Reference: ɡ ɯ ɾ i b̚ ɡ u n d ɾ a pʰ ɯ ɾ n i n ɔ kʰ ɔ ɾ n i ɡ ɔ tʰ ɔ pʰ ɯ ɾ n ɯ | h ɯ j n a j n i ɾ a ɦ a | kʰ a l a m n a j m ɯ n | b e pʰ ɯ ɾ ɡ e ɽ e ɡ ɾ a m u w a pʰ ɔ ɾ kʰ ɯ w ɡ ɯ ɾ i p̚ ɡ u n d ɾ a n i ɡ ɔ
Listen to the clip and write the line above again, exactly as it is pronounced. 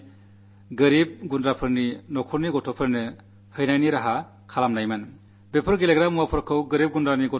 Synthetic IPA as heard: ɡ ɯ ɾ i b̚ ɡ u n d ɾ a pʰ ɯ ɾ n i n ɔ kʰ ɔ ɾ n i ɡ ɔ tʰ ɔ pʰ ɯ ɾ n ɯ | h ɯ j n a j n i ɾ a ɦ a | kʰ a l a m n a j m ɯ n | b e pʰ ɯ ɾ ɡ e l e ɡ ɾ a m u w a pʰ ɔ ɾ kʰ ɯ w ɡ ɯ ɾ i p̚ ɡ u n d ɾ a n i ɡ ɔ